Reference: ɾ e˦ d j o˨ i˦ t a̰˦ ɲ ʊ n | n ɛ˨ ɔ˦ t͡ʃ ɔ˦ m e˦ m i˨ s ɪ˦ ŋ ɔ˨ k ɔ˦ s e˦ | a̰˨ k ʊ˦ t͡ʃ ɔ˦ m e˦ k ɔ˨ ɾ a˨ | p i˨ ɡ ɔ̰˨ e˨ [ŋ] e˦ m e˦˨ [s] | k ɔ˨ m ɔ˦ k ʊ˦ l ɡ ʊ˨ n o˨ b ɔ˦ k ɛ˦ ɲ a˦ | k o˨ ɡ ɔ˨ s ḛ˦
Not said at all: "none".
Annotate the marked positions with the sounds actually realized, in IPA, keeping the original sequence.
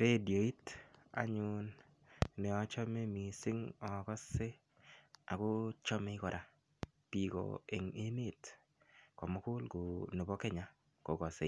ŋ, t

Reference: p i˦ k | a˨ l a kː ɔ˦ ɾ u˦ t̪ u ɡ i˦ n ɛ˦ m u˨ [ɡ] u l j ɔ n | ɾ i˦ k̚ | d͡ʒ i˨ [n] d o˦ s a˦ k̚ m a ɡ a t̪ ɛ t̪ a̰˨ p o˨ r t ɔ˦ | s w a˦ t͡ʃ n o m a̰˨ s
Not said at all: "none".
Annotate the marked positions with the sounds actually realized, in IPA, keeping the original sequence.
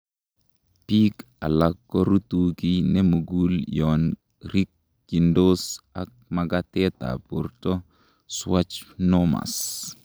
ɡ, n

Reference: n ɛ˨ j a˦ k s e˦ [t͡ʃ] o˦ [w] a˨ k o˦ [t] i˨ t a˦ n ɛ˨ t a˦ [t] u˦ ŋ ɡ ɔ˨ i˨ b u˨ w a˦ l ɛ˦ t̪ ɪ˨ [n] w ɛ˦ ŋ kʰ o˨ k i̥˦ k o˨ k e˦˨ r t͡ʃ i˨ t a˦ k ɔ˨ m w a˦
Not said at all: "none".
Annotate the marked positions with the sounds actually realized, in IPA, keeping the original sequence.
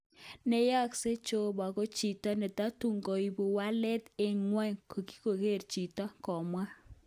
t͡ʃ, b, t͡ʃ, t, ŋ

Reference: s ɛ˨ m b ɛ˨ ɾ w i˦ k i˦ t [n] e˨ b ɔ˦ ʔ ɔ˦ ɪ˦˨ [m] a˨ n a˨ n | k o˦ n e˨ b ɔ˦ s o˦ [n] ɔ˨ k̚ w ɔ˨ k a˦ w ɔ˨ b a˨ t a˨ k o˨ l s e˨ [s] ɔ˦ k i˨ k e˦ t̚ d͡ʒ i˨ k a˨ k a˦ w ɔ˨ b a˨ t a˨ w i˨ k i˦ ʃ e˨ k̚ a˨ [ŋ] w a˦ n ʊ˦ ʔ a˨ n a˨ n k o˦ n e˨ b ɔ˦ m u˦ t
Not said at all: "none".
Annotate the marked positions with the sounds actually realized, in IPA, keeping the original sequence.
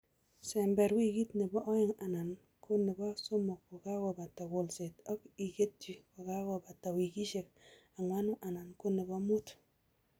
n, ŋ, m, t, ŋ

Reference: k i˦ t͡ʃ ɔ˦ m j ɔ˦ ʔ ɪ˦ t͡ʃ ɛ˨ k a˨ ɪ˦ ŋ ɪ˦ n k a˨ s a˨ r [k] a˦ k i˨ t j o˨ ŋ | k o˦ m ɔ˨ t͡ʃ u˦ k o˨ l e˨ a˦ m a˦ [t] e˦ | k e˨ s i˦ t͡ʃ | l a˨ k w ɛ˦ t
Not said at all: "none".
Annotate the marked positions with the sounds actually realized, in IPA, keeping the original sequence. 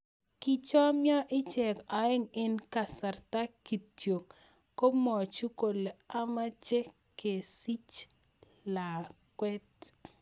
t, t͡ʃ

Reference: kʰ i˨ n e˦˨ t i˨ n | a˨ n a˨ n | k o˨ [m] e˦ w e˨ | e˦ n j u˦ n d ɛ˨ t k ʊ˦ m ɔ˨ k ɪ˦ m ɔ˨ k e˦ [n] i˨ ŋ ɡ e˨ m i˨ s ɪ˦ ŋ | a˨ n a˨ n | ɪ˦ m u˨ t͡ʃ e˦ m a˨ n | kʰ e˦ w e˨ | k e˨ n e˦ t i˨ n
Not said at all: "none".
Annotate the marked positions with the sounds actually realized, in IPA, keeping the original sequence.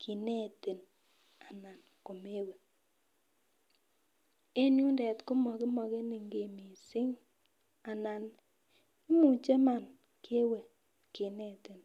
m, n

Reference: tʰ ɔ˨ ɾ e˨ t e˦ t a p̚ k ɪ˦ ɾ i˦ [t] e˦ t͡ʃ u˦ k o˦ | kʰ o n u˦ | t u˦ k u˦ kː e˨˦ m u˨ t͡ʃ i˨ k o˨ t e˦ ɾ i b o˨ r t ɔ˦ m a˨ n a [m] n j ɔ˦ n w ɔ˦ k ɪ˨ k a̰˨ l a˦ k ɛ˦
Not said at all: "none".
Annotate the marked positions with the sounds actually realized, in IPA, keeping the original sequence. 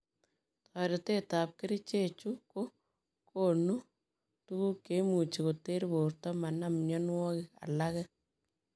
t͡ʃ, m

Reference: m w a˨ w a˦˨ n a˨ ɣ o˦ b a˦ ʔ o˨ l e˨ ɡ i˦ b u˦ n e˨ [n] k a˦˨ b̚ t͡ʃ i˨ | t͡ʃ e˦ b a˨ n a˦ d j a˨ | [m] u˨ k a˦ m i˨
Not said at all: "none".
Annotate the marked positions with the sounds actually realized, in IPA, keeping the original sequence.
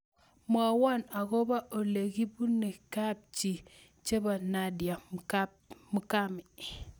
none, m

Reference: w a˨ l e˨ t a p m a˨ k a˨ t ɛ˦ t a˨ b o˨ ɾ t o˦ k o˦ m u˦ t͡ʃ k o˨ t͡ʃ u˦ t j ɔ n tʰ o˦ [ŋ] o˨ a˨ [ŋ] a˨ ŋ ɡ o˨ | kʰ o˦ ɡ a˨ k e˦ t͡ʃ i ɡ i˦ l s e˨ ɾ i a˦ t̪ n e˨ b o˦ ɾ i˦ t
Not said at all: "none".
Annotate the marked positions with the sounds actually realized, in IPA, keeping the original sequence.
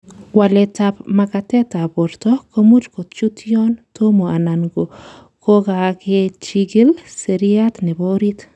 m, n

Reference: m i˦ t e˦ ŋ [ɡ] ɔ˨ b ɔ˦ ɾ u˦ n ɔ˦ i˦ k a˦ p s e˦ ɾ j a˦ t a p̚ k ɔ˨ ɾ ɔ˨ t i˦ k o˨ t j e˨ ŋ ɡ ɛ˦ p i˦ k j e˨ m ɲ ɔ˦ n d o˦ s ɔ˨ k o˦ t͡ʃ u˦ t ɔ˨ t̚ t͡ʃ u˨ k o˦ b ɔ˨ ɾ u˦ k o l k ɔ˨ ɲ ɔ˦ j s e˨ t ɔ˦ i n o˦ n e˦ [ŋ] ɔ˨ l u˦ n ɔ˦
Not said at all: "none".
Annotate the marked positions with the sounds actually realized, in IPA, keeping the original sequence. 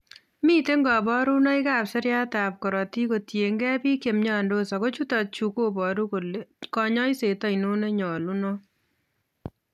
ɡ, ɲ

